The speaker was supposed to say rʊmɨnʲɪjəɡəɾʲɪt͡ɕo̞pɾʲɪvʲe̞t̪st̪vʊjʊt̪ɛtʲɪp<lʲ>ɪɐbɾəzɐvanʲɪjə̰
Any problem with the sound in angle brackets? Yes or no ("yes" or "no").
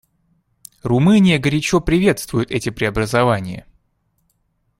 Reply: yes